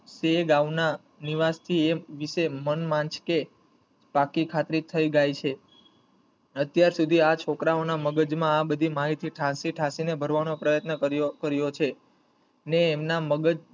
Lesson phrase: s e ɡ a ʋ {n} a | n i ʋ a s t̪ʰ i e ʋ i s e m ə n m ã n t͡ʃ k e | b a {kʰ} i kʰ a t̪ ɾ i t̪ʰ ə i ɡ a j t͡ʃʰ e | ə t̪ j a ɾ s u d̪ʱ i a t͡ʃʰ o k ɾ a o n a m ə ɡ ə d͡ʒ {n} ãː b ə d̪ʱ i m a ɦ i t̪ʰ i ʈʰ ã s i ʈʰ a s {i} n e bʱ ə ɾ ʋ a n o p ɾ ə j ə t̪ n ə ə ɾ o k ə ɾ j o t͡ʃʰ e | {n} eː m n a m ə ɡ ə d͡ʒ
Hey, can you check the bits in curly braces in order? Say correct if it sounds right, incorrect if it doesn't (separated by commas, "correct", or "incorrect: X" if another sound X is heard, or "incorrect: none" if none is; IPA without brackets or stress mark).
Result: correct, incorrect: k, incorrect: m, correct, correct